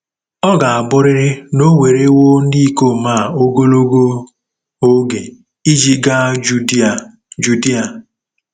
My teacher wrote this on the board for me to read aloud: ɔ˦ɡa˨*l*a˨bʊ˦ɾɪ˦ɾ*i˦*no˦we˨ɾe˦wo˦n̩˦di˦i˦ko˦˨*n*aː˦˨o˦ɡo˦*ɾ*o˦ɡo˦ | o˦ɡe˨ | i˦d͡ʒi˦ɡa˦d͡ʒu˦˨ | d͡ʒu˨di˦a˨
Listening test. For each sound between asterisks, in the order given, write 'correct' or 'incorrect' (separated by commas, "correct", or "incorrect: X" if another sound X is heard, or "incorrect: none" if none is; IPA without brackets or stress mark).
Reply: incorrect: none, incorrect: ɪ˦, incorrect: m, incorrect: l